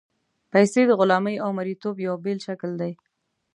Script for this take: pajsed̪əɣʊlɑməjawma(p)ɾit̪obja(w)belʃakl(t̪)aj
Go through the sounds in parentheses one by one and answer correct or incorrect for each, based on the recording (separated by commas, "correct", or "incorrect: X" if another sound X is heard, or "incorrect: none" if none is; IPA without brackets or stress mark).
incorrect: none, correct, incorrect: d̪